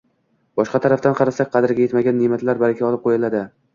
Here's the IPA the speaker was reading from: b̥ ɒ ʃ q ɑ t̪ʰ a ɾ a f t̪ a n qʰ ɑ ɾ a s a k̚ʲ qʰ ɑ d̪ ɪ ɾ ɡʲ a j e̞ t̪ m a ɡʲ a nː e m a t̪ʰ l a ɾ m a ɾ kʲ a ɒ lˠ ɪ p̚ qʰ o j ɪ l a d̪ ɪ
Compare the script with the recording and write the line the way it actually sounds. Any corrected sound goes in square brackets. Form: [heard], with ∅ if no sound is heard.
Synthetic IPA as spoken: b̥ ɒ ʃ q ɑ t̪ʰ a ɾ a f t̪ a n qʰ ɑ ɾ a s a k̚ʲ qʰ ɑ d̪ ɪ ɾ ɡʲ a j e̞ t̪ m a ɡʲ a nː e m a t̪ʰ l a ɾ [b] a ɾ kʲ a ɒ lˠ ɪ p̚ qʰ o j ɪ l a d̪ ɪ